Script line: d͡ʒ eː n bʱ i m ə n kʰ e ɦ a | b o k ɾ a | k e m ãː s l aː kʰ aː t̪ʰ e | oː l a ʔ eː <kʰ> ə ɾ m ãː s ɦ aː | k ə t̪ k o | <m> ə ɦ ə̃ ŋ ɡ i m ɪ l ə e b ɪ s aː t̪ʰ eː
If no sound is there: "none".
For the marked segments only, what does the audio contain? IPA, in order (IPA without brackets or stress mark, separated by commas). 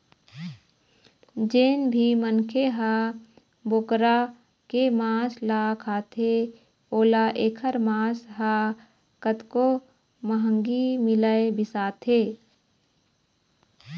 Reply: kʰ, m